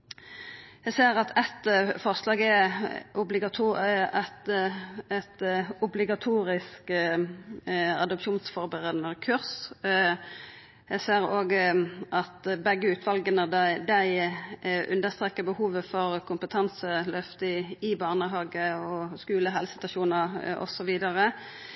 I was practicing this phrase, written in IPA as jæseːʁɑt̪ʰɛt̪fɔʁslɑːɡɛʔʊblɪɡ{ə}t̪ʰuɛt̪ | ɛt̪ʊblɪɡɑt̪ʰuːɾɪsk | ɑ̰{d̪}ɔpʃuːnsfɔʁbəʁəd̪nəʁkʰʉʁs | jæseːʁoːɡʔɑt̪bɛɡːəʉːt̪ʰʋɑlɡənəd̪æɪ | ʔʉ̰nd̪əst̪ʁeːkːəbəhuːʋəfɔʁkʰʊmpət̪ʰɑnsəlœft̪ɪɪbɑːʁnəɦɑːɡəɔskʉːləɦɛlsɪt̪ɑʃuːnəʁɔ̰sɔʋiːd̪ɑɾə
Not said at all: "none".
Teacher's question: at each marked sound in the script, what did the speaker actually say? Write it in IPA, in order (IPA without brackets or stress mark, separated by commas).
ɑ, d̪